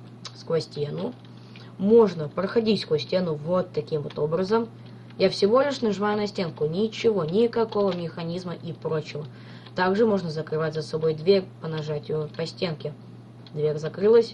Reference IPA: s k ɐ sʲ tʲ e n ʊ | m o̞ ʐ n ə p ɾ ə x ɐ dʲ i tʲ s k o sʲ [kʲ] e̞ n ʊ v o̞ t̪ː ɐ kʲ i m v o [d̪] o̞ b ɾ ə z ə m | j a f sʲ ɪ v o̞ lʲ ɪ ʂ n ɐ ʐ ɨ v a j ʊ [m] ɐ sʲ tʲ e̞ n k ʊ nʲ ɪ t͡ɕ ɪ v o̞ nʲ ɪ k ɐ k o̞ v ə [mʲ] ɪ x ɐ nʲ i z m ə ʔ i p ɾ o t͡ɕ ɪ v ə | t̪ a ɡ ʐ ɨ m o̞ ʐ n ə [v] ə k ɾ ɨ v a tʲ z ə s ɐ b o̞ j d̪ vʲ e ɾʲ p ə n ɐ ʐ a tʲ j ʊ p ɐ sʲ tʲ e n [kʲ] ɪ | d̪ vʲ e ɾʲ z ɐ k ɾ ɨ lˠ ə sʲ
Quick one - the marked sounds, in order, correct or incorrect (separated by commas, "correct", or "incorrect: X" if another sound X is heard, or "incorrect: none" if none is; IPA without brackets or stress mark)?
incorrect: tʲ, incorrect: t̪, incorrect: n, correct, incorrect: z, correct